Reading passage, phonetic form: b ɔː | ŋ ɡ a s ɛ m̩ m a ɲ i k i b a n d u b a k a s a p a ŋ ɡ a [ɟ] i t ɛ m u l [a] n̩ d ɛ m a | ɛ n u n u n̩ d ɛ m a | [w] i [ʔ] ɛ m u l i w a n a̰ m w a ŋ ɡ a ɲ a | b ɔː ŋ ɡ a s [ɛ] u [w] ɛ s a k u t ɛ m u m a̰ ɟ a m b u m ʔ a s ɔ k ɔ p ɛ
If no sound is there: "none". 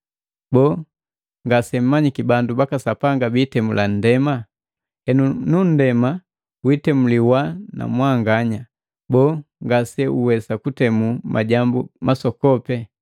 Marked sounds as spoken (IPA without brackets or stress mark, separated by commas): b, a, w, t, ɛ, w